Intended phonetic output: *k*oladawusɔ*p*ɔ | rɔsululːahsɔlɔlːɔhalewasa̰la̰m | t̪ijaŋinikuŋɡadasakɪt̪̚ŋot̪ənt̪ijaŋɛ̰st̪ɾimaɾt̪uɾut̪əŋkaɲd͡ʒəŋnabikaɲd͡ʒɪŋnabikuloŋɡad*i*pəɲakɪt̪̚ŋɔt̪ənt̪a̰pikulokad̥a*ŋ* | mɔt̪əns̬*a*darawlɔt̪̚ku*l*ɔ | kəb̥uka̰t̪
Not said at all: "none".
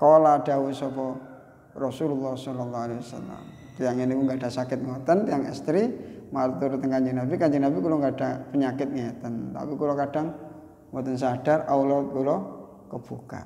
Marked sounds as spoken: k, p, a, ŋ, a, l

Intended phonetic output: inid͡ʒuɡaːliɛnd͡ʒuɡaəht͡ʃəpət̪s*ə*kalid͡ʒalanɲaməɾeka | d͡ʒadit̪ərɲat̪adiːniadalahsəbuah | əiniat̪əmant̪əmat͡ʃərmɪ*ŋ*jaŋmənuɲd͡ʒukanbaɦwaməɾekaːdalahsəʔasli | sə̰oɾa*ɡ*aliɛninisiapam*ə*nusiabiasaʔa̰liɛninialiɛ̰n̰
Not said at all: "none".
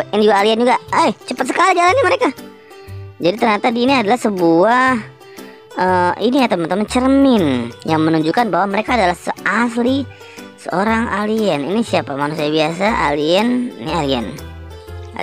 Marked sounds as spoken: ə, n, ŋ, a

